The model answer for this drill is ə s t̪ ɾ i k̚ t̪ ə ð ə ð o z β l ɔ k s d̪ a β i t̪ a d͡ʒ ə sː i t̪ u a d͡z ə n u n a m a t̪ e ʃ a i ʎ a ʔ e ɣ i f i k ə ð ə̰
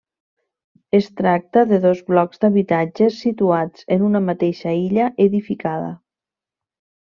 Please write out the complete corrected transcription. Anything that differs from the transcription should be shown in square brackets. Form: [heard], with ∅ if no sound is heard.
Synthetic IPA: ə s t̪ ɾ [a] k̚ t̪ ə ð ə ð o z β l ɔ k [z] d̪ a β i t̪ a d͡ʒ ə sː i t̪ u a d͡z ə n u n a m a t̪ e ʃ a i ʎ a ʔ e [ð] i f i k [a] ð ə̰